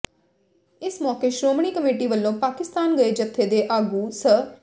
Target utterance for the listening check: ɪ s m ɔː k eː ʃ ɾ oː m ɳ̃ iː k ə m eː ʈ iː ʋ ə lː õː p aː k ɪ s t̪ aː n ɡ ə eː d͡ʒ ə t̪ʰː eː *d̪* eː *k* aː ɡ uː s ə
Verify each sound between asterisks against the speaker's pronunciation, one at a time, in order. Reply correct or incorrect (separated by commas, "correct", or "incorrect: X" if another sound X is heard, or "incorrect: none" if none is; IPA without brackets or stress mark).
correct, incorrect: ʔ